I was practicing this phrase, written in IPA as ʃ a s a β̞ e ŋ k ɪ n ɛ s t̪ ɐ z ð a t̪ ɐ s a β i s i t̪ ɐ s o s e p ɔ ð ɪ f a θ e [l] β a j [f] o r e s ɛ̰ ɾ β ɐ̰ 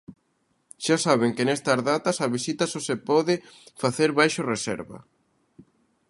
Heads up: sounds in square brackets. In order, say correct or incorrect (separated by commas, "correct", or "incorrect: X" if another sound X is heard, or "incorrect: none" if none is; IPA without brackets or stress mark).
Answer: incorrect: ɾ, incorrect: ʃ